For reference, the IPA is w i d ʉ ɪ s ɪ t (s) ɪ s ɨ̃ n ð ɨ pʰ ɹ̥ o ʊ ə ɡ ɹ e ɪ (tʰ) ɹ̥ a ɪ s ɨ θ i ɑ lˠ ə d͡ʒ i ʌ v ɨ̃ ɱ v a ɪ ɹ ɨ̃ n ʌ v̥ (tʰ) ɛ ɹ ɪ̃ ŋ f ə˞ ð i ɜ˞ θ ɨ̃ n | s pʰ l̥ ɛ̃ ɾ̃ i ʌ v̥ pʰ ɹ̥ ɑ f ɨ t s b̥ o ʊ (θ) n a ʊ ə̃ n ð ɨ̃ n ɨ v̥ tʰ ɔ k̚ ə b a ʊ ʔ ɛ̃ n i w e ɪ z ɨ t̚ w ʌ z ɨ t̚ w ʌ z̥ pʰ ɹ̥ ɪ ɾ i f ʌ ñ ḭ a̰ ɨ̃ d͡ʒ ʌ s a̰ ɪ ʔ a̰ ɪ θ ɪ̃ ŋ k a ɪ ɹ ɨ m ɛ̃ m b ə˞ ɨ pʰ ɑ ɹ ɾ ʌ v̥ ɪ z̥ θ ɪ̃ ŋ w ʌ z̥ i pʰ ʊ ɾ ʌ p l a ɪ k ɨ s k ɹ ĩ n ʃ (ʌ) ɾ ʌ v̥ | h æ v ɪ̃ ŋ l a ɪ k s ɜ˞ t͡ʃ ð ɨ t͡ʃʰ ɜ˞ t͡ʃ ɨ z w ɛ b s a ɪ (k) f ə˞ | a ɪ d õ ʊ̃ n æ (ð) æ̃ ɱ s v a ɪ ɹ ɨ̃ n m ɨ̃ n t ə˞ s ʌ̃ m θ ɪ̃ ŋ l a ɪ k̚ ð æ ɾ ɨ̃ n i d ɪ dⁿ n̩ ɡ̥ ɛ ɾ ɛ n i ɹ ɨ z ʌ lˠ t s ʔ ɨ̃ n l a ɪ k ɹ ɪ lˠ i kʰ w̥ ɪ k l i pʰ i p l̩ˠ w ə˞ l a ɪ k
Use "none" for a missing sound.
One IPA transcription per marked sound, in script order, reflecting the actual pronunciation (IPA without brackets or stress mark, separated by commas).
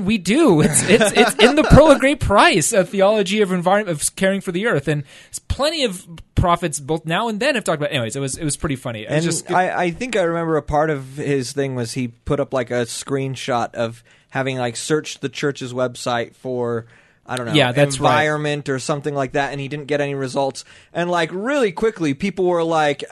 s, pʰ, kʰ, θ, ɑ, t, ð